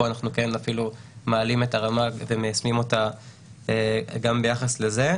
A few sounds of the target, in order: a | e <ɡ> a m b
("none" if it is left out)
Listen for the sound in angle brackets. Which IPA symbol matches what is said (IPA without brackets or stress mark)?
ɡ